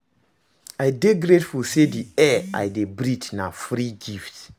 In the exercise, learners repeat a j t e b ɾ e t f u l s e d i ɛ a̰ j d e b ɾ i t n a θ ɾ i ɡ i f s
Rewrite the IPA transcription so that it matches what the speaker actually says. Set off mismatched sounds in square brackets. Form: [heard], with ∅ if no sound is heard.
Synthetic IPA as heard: a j [d] e [ɡ] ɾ e t f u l s e d i ɛ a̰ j d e b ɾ i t n a [f] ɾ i ɡ i f [t]